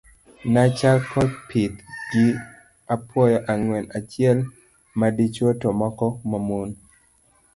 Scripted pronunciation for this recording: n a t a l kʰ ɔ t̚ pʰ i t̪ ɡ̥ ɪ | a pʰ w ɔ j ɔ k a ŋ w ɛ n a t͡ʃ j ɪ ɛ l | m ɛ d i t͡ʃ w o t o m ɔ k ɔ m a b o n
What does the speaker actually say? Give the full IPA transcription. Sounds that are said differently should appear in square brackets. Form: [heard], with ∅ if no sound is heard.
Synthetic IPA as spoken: n a [t͡ʃ] a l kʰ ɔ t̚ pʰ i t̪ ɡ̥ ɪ | a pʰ w ɔ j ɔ [ʔ] a ŋ w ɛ n a t͡ʃ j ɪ ɛ l | m [a] d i t͡ʃ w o t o m ɔ k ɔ m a [m] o n